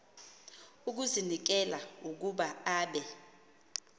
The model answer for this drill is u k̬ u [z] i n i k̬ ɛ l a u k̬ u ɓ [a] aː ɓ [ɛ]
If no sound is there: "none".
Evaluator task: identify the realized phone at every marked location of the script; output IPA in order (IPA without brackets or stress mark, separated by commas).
z, a, ɛ